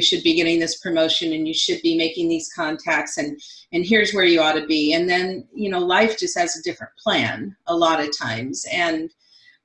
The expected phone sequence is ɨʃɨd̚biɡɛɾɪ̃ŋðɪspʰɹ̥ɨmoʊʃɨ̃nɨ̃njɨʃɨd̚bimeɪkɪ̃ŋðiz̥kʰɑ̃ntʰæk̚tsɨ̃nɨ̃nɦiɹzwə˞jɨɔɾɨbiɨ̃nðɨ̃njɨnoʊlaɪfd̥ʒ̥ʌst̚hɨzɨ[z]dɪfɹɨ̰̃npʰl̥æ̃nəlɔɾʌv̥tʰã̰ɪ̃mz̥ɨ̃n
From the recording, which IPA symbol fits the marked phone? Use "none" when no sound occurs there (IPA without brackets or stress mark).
none